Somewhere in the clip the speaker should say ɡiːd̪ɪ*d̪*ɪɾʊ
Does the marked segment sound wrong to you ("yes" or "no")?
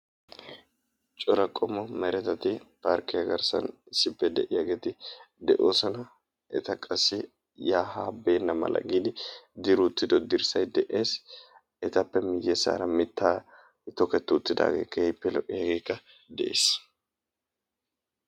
no